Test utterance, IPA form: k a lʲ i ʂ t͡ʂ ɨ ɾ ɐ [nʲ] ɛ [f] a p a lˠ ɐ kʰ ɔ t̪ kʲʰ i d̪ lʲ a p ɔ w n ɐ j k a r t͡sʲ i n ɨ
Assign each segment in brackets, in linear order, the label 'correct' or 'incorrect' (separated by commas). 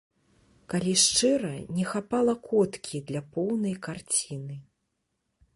correct, incorrect